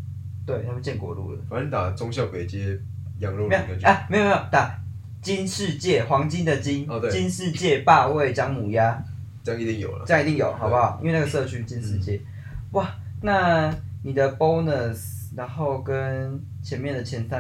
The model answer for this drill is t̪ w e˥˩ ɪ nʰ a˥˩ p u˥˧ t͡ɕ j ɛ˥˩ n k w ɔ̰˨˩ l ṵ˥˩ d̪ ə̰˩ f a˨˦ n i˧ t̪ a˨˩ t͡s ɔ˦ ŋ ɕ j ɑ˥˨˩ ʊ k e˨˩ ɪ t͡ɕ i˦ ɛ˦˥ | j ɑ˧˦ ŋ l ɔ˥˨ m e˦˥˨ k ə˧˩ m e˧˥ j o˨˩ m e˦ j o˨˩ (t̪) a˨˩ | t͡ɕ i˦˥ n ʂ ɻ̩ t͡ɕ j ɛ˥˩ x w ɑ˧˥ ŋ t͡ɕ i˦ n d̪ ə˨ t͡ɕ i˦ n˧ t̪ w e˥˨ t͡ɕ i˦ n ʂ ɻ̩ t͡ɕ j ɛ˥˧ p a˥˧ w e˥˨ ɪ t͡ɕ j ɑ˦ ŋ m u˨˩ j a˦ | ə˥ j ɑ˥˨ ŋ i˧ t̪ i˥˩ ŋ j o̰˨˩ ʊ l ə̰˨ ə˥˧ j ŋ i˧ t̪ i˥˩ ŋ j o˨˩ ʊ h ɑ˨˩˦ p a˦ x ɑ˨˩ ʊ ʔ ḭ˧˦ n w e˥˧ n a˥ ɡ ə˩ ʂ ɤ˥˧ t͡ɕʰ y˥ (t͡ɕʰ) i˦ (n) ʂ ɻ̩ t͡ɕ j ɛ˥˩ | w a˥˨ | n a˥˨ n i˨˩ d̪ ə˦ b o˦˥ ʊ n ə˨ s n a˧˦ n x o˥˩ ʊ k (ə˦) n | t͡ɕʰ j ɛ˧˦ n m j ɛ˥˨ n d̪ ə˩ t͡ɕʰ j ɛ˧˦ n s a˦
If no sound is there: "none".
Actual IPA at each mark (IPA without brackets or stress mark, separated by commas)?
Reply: t̪, t͡ɕ, n, ə˦